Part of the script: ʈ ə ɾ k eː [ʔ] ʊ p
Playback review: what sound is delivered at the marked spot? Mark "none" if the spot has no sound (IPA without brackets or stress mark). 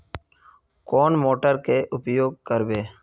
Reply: ʔ